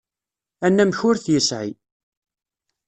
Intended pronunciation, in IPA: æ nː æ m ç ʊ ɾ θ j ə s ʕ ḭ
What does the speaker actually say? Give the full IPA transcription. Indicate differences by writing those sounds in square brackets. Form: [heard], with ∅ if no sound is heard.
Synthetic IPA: æ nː æ m ç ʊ ɾ θ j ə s ʕ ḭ